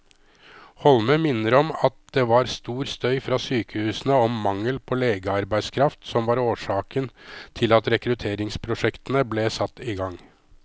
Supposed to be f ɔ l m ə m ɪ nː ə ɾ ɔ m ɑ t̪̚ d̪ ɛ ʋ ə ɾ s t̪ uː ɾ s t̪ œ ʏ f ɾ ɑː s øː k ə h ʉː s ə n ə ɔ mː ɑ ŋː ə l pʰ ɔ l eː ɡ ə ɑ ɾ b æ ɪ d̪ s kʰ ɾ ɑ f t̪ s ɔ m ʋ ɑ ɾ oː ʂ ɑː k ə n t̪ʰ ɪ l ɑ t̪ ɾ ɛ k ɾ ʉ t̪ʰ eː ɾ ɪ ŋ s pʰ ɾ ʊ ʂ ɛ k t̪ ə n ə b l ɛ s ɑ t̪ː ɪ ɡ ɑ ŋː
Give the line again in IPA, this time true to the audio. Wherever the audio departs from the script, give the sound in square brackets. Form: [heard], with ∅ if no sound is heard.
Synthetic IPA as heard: [h] ɔ l m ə m ɪ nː ə ɾ ɔ m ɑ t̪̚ d̪ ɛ ʋ [ɑ] ɾ s t̪ uː ɾ s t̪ œ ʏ f ɾ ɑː s [yː] k ə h ʉː s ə n ə ɔ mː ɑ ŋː ə l pʰ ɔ l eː ɡ ə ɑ ɾ b æ ɪ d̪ s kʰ ɾ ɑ f t̪ s ɔ m ʋ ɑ ɾ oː ʂ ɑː k ə n t̪ʰ ɪ l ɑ t̪ ɾ ɛ k ɾ ʉ t̪ʰ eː ɾ ɪ ŋ s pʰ ɾ ʊ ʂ ɛ k t̪ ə n ə b l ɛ s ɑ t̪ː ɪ ɡ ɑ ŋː